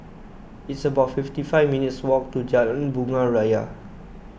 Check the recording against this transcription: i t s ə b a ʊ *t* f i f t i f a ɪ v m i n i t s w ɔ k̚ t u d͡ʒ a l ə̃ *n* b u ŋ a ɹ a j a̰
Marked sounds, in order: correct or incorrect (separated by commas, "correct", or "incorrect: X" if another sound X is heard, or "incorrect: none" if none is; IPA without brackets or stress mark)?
correct, correct